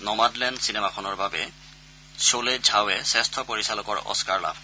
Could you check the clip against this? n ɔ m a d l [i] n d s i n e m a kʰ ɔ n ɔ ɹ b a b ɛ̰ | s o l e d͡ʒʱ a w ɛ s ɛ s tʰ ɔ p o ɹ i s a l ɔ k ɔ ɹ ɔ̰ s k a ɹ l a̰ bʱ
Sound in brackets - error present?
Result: yes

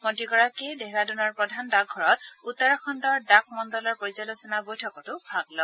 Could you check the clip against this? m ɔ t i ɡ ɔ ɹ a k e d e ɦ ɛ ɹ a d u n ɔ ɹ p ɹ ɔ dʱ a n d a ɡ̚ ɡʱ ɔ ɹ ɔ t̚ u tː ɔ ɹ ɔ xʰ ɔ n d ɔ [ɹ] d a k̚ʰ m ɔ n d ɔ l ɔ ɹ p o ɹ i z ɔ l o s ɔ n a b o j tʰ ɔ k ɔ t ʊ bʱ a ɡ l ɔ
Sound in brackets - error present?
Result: no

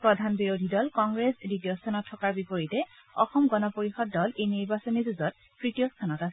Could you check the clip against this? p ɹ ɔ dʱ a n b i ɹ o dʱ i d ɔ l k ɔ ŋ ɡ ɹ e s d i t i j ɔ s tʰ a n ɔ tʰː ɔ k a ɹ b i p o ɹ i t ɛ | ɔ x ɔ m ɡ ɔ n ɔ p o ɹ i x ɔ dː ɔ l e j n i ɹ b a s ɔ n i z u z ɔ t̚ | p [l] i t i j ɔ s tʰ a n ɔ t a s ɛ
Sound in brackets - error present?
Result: yes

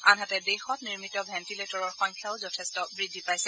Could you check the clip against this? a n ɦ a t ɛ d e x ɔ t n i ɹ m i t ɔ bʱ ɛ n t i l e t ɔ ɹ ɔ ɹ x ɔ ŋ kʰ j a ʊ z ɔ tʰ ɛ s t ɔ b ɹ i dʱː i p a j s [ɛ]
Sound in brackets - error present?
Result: no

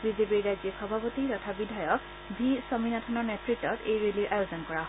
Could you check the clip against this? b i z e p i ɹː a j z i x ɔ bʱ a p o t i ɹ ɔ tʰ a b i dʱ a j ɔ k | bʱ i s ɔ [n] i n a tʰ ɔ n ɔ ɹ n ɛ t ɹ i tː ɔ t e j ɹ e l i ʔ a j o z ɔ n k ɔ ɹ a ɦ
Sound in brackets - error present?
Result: yes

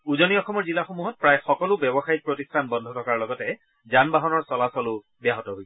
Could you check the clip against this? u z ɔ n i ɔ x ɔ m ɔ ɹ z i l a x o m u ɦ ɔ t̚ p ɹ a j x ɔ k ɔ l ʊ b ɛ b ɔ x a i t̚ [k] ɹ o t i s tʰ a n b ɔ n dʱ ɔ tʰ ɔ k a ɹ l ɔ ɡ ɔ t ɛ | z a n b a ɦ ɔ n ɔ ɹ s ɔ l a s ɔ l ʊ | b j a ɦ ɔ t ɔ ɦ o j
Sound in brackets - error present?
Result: yes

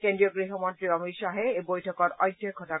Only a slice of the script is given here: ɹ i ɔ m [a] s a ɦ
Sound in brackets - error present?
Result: yes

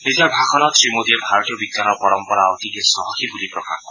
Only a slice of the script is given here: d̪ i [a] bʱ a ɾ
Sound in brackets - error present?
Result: yes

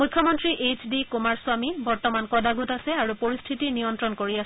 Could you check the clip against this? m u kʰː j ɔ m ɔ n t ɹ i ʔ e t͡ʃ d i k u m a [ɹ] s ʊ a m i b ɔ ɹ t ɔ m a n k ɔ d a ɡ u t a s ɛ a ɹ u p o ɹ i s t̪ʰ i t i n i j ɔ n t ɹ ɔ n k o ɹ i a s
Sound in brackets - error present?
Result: no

